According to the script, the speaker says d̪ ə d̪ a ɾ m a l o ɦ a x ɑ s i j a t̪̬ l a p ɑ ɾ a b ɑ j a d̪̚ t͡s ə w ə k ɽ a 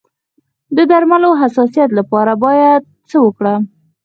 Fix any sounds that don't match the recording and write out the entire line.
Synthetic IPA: d̪ ə d̪ a ɾ m a l o ɦ a s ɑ s i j a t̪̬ l a p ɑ ɾ a b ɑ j a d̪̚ t͡s ə w ə k ɽ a